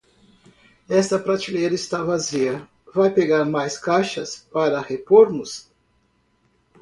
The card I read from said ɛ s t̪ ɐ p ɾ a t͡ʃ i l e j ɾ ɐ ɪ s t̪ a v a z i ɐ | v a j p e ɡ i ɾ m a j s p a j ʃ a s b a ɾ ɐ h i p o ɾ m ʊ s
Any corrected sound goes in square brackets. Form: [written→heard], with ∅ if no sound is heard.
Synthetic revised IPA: ɛ s t̪ ɐ p ɾ a t͡ʃ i l e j ɾ ɐ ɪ s t̪ a v a z i ɐ | v a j p e ɡ [i→a] ɾ m a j s [p→k] a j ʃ [a→ɐ] s [b→p] a ɾ ɐ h [i→e] p o ɾ m ʊ s